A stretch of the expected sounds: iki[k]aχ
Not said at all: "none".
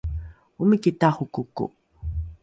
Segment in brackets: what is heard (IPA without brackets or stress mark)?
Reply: t